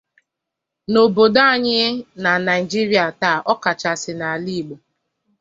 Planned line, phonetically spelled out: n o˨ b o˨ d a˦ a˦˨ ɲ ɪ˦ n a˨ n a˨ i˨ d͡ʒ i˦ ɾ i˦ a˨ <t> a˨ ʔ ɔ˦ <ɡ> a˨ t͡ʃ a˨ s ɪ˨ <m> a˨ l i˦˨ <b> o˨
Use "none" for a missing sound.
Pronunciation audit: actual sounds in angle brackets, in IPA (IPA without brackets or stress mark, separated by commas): t, k, n, ɡ͡b